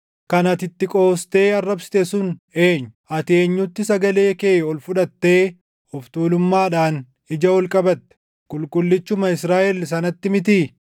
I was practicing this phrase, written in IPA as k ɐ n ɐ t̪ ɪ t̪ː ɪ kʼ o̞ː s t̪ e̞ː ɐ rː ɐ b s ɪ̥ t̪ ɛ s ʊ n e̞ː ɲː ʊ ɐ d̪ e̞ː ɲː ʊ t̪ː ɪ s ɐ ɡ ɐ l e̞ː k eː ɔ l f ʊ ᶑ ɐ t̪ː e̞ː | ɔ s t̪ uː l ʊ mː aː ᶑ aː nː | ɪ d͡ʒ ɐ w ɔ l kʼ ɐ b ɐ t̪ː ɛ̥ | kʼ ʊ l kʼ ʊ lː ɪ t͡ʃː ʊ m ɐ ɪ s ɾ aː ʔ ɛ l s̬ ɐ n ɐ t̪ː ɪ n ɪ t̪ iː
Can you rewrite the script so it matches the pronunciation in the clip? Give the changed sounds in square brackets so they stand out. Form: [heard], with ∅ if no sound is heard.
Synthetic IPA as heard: k ɐ n ɐ t̪ ɪ t̪ː ɪ kʼ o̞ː s t̪ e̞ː ɐ rː ɐ b s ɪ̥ t̪ ɛ s ʊ n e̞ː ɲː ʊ ɐ [t̪] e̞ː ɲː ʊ t̪ː ɪ s ɐ ɡ ɐ l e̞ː k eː ɔ l f ʊ ᶑ ɐ t̪ː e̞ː | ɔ [f] t̪ uː l ʊ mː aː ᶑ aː [n] | ɪ d͡ʒ ɐ w ɔ l kʼ ɐ b ɐ t̪ː ɛ̥ | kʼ ʊ l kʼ ʊ lː ɪ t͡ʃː ʊ m ɐ ɪ s ɾ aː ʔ ɛ l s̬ ɐ n ɐ t̪ː ɪ [m] ɪ t̪ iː